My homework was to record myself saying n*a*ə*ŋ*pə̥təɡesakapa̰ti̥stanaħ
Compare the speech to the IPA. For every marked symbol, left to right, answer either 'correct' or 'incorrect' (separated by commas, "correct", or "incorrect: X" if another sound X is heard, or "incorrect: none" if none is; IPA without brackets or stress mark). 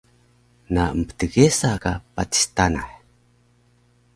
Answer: correct, incorrect: m